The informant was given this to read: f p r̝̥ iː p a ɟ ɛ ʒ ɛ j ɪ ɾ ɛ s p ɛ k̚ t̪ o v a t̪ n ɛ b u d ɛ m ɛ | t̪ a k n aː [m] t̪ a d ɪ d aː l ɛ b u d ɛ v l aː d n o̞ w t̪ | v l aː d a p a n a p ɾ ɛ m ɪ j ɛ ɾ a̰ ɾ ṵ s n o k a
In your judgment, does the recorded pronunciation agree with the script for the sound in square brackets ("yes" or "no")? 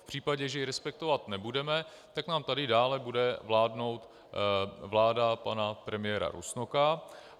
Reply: yes